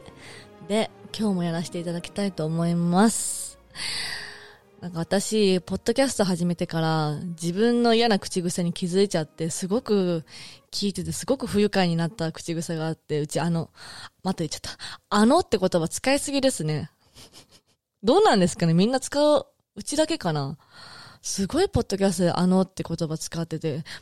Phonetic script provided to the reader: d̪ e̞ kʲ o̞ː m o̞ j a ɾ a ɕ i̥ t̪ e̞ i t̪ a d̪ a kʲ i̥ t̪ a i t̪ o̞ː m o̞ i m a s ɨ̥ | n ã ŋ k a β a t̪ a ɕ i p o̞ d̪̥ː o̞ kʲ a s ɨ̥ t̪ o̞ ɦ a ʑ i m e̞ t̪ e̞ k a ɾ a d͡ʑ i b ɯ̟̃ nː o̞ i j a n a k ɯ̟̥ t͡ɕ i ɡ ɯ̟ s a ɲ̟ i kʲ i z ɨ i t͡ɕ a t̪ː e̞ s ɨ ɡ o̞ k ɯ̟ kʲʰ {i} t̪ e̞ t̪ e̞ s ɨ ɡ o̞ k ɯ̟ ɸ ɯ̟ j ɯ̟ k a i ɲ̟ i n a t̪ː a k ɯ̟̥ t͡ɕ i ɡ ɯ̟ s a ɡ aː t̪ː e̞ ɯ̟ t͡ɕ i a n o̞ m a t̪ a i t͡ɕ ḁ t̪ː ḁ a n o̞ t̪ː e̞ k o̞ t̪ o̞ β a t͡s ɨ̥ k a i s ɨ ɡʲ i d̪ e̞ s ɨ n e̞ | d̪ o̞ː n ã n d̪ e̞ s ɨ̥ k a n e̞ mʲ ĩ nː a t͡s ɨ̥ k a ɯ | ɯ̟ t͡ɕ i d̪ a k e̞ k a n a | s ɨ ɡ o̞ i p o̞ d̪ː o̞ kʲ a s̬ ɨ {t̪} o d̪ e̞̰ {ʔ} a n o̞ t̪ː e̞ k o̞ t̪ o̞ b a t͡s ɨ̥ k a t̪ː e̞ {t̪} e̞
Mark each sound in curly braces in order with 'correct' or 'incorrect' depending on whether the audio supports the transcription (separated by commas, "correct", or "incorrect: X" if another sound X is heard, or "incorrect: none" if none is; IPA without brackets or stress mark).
incorrect: iː, correct, correct, correct